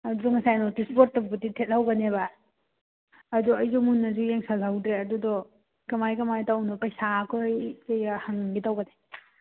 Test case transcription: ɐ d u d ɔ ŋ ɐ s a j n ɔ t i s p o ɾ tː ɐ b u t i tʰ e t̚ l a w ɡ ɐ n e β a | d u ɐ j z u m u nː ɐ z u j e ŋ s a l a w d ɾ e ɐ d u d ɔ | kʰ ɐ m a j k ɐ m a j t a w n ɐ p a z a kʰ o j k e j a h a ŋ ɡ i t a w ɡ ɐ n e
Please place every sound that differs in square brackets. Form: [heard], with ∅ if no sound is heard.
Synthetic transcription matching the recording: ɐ d u d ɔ ŋ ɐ s a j n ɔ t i s p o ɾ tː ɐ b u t i tʰ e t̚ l a w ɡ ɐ n e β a | d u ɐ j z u m u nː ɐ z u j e ŋ s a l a w d ɾ e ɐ d u d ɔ | [k] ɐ m a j k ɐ m a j t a w n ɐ p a [s] a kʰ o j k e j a h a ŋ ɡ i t a w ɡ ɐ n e